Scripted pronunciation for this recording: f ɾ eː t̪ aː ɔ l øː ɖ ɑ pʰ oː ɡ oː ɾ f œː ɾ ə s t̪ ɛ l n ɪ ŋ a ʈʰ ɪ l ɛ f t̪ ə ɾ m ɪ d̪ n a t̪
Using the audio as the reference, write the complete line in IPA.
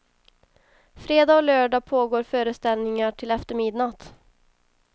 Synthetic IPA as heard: f ɾ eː d̪ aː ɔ l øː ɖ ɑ pʰ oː ɡ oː ɾ f œː ɾ ə s t̪ ɛ l n ɪ ŋ a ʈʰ ɪ l ɛ f t̪ ə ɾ m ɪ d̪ n a t̪